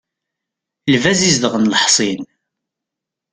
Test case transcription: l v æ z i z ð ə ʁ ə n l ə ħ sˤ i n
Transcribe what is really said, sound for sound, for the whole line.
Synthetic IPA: l v æ z i z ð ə ʁ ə n l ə ħ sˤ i n